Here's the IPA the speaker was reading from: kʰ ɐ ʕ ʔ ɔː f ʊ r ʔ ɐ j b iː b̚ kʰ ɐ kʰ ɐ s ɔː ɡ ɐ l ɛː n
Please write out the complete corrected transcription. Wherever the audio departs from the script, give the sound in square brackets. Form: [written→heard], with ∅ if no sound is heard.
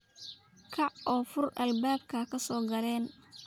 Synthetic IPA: kʰ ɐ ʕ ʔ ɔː f ʊ r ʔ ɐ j b [iː→aː] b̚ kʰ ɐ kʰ ɐ s ɔː ɡ ɐ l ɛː n